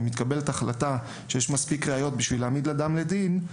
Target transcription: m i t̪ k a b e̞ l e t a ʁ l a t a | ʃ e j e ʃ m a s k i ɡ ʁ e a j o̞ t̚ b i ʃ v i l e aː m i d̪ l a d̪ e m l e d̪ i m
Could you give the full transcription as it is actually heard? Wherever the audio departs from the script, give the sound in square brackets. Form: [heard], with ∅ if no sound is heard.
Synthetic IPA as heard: m i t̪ k a b e̞ l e t a [χ] l a t a | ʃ e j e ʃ m a s [p] i [k] ʁ e a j o̞ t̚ b i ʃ v i l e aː m i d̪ l a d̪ [a] m l e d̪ i [n]